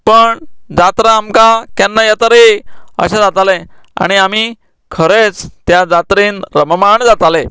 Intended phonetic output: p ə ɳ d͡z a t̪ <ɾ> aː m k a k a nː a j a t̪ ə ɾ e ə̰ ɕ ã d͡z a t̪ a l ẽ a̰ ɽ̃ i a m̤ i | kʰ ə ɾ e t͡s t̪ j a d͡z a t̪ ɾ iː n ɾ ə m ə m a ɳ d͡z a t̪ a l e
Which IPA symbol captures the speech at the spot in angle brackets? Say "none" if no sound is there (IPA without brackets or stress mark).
ɾ